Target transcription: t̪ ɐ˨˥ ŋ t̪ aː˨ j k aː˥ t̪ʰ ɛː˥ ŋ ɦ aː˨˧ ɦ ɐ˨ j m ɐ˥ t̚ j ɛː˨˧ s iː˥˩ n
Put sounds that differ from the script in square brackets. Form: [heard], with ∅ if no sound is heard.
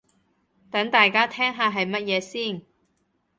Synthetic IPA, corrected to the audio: t̪ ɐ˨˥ ŋ t̪ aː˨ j k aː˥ t̪ʰ ɛː˥ ŋ ɦ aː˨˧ ɦ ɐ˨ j m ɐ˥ t̚ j ɛː˨˧ s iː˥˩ n